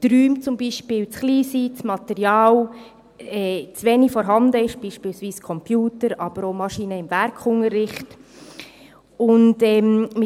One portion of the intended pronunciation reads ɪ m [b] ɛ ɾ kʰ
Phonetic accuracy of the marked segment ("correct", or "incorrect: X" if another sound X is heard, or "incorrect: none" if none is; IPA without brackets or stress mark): incorrect: v